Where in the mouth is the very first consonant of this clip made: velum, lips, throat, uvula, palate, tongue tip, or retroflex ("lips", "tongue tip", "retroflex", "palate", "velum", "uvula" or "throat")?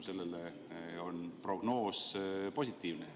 tongue tip